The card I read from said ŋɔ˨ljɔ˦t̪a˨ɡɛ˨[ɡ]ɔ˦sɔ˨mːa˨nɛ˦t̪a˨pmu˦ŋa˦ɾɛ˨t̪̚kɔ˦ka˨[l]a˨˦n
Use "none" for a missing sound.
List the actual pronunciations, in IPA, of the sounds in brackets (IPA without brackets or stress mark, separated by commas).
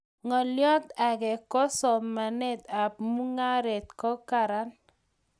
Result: k, ɾ